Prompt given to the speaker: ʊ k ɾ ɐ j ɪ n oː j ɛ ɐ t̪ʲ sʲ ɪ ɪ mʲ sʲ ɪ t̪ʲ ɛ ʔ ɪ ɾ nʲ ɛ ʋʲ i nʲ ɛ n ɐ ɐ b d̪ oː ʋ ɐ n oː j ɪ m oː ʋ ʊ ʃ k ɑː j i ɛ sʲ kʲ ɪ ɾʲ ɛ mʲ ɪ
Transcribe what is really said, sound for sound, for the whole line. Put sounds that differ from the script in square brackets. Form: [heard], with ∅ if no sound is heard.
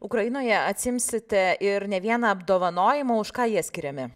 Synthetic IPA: ʊ k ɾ ɐ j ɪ n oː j ɛ ɐ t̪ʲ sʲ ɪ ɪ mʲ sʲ ɪ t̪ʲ ɛ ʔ ɪ ɾ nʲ ɛ ʋʲ i [∅] ɛ n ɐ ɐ b d̪ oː ʋ ɐ n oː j ɪ m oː [∅] ʊ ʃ k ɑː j i ɛ sʲ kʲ ɪ ɾʲ ɛ mʲ ɪ